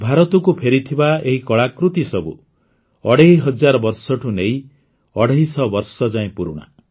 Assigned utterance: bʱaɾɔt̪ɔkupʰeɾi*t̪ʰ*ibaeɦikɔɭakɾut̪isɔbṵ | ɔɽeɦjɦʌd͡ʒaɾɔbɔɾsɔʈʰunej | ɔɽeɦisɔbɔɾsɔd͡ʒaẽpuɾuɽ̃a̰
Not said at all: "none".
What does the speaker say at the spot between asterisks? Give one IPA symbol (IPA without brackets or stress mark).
t̪ʰ